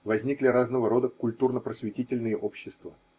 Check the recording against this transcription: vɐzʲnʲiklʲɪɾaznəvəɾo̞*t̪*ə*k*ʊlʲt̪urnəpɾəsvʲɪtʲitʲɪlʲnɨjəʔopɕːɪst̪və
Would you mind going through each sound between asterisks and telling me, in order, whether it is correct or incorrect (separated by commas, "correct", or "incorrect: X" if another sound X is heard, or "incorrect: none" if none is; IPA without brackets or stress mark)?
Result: incorrect: d̪, correct